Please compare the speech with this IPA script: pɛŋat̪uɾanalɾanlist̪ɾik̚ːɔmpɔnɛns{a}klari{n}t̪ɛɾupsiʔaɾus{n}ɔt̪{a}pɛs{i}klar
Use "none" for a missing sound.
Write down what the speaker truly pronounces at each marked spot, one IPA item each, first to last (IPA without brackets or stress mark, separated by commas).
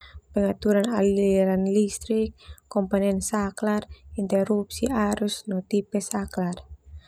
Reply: a, n, n, i, a